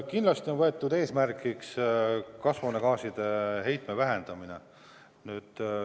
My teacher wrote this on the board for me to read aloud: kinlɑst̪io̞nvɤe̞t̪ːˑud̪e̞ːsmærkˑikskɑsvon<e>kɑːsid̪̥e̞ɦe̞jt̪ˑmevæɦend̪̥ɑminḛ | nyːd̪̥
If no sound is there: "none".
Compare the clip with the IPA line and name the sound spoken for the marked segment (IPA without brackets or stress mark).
e